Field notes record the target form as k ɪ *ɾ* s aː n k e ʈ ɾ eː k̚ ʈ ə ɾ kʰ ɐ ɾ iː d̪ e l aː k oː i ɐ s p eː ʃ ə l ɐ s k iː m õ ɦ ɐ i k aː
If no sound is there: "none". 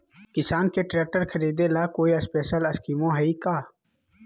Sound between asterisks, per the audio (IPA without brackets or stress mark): none